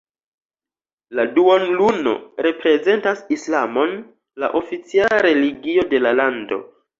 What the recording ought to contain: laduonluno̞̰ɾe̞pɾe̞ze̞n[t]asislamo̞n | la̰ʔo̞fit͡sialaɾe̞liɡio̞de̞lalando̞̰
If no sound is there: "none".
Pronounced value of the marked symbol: t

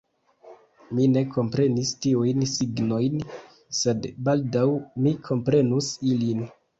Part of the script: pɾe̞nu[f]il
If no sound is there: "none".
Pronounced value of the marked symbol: s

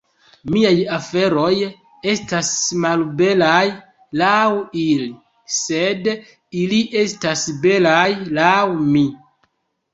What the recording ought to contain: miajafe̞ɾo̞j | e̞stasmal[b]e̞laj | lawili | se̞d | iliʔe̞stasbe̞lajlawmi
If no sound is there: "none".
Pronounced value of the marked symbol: b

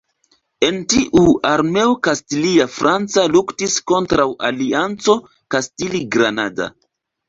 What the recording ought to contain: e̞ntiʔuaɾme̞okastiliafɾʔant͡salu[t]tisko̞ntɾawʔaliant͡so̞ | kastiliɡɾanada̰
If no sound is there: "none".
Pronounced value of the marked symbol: k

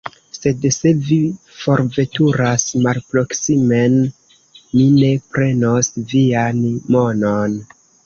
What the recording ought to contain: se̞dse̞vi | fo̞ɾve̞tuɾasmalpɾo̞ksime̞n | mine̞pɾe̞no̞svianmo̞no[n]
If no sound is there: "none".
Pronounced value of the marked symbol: n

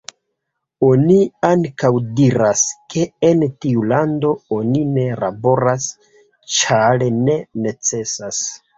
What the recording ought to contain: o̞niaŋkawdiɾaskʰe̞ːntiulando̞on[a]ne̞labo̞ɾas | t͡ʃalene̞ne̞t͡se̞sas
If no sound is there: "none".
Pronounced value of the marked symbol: i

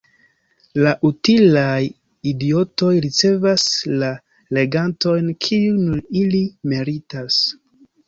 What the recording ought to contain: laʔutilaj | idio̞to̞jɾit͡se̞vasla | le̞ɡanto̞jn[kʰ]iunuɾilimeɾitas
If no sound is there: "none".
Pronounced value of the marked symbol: kʰ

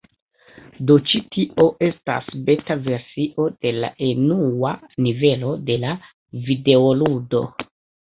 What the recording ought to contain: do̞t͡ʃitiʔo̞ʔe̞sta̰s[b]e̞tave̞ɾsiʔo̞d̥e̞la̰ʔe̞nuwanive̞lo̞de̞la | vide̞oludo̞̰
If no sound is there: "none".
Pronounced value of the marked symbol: b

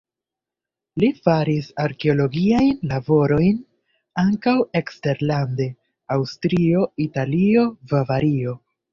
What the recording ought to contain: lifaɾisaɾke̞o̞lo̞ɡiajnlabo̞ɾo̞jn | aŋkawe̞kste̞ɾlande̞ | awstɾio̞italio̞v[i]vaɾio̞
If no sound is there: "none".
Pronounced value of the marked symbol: a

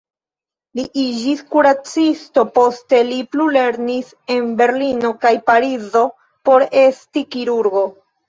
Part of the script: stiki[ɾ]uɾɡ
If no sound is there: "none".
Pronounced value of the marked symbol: ɾ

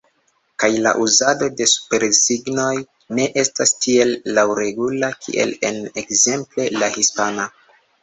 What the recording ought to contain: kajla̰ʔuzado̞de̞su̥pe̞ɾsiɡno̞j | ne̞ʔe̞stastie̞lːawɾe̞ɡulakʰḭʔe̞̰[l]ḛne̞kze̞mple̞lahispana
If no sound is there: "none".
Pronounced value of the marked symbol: l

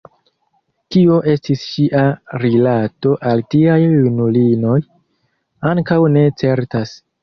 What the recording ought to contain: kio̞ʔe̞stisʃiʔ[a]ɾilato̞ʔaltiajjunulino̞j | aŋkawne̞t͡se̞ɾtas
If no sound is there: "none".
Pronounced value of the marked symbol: a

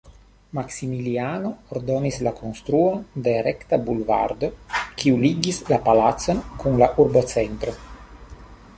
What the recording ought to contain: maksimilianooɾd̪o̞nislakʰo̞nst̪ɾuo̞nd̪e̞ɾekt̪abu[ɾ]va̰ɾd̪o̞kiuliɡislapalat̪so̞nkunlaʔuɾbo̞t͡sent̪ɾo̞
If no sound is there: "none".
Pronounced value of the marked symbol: l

